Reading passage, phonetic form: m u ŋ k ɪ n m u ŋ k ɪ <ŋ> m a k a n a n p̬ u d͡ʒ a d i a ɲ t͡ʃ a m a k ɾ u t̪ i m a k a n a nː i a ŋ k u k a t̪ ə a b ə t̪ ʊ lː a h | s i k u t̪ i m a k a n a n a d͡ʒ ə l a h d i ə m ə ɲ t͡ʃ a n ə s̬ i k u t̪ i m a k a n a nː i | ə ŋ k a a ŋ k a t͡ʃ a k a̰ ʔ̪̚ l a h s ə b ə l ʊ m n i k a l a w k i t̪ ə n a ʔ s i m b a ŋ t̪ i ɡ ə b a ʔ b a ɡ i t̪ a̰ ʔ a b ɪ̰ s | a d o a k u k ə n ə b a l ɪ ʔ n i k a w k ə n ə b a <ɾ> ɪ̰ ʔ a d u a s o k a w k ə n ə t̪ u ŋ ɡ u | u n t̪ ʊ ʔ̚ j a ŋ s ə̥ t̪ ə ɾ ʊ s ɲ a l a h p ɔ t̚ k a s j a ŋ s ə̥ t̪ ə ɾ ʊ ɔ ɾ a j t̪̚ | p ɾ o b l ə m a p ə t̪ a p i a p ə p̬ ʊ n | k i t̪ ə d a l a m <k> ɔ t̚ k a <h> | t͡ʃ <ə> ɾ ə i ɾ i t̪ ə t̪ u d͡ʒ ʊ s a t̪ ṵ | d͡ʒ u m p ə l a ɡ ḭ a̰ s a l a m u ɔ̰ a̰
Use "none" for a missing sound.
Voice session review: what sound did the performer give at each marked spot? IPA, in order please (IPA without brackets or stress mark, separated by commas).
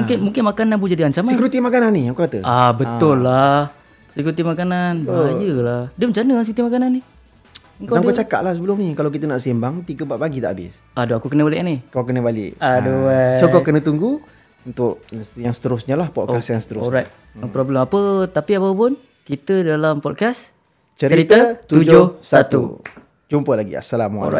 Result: n, l, p, s, ə